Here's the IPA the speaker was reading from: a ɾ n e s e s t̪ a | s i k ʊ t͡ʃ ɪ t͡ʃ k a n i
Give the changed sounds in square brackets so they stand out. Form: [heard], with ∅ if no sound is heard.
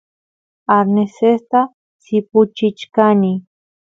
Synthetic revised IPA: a ɾ n e s e s t̪ a | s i [p] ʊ t͡ʃ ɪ t͡ʃ k a n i